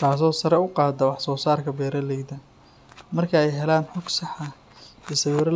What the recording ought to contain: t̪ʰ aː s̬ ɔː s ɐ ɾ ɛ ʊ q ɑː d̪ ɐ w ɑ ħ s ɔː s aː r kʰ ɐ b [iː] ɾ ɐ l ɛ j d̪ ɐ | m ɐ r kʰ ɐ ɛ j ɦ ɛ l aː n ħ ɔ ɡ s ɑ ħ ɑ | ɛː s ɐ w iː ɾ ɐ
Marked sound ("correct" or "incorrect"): incorrect